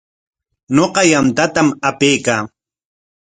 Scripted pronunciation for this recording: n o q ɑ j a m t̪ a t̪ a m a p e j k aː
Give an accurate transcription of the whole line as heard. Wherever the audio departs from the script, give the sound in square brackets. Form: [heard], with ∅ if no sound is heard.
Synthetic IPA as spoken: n o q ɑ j a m t̪ a t̪ a m a p e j k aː